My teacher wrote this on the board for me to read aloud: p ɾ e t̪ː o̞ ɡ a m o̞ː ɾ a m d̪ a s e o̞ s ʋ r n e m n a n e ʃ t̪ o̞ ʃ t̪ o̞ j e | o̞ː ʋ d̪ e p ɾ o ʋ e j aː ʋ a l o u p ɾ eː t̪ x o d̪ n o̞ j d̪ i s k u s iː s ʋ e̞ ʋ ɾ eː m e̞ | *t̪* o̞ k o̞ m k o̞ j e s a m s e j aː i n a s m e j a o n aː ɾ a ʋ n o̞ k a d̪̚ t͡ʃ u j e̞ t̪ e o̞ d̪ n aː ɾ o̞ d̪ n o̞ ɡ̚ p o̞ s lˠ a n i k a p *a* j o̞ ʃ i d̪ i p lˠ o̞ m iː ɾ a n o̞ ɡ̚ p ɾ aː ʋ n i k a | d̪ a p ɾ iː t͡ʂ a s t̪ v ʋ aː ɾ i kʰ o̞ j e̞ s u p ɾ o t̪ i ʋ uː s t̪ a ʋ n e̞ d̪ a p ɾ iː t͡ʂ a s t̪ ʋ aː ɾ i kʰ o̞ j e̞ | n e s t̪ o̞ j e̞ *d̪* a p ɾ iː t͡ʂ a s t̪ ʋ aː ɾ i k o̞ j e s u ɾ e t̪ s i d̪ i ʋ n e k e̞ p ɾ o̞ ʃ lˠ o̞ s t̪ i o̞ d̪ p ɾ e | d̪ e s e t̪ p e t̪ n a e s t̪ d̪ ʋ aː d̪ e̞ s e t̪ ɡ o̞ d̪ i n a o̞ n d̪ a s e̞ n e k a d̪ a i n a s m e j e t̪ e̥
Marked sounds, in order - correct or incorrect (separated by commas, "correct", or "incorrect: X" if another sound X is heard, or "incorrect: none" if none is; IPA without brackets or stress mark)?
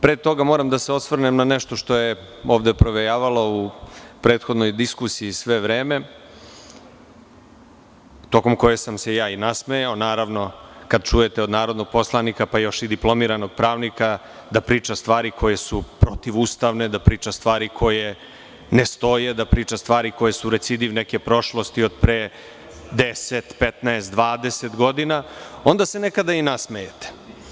correct, correct, correct